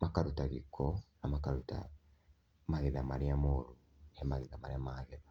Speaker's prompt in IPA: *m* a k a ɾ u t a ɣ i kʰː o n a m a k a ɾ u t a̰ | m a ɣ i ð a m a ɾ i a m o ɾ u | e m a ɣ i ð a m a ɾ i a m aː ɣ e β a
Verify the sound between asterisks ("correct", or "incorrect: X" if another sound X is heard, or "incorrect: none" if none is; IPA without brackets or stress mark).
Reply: correct